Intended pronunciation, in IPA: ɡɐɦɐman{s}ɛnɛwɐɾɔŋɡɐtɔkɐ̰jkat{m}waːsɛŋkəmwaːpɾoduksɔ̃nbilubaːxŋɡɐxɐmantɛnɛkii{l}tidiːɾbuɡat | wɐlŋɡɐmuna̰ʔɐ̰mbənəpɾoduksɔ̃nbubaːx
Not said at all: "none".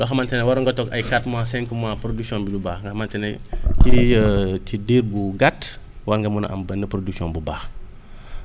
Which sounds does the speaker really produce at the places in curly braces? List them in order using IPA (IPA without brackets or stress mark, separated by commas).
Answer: t, m, none